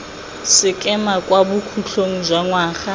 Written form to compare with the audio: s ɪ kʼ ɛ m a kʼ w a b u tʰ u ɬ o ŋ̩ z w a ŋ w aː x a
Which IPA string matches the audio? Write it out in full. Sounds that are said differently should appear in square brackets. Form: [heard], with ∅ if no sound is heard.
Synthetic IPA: s ɪ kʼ ɛ m a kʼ w a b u [kʰ] u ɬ o ŋ̩ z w a ŋ w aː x a